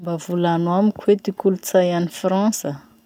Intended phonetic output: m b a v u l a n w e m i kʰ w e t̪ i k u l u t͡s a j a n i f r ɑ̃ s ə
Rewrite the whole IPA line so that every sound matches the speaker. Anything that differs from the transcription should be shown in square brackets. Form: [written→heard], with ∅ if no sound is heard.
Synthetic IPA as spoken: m b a v u l a n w [e→a] m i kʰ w e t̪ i k u l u t͡s a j a n i f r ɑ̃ s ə

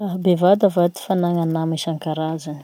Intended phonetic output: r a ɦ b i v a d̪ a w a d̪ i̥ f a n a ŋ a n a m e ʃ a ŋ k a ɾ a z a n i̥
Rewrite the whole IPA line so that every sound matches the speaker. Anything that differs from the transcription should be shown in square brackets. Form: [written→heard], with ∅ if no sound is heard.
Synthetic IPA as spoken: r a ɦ b [i→e] v a d̪ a [w→v] a d̪ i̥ f a n a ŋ a n a m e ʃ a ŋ k a ɾ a z a n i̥

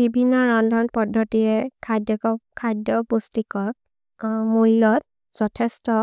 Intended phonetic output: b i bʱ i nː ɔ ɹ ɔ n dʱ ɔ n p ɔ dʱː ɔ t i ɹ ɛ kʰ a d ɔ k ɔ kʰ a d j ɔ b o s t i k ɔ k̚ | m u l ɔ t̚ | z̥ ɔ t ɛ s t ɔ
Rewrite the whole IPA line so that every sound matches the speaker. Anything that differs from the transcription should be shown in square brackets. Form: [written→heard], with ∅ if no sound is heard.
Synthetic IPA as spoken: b i bʱ i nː ɔ ɹ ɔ n dʱ ɔ n p ɔ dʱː ɔ t i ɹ ɛ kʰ a d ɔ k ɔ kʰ a d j ɔ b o s t i k ɔ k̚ | m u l ɔ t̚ | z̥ ɔ [t→tʰ] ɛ s t ɔ

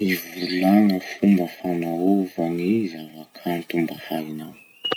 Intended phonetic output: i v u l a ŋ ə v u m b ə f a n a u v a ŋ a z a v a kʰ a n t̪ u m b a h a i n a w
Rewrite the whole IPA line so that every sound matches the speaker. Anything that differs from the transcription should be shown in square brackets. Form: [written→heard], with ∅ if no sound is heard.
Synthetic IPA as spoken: i v u l a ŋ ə [v→f] u m b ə f a n a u v a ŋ [a→i] z a v a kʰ a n t̪ u m b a h a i n a w

